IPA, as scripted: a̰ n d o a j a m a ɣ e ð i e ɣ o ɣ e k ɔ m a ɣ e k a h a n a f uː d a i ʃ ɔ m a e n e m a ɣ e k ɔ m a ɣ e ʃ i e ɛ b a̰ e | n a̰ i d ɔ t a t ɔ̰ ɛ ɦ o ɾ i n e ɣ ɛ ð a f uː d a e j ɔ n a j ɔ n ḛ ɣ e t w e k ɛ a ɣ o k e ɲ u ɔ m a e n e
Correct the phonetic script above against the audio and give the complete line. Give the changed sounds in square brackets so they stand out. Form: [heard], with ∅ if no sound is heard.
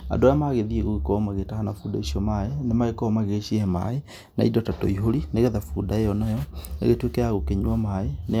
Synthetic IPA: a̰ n d o a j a m a ɣ e ð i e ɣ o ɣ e k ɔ m a ɣ e [t] a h a n a f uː d a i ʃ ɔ m a e n e m a ɣ e k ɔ m a ɣ e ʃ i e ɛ [m] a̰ e | n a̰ i d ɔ t a t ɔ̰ [i] ɦ o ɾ i n e ɣ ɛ ð a f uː d a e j ɔ n a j ɔ n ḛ ɣ e t w e k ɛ a ɣ o k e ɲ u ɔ m a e n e